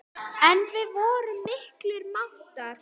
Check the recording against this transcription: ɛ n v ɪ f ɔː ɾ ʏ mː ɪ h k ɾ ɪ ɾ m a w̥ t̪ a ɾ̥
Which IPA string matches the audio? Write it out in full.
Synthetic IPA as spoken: ɛ n v ɪ v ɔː ɾ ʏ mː ɪ h k l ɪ ɾ m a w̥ t̪ a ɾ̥